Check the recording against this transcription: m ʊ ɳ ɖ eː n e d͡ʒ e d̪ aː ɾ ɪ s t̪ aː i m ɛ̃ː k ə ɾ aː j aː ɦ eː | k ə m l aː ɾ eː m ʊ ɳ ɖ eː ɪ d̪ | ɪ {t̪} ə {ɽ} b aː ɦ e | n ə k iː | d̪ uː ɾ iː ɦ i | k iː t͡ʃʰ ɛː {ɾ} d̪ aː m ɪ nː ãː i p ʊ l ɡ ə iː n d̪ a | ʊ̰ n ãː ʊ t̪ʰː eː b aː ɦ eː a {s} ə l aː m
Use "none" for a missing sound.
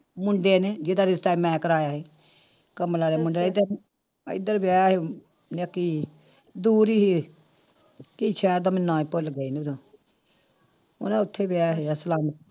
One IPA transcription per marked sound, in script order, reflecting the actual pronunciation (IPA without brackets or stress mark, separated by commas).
d̪, ɾ, ɾ, s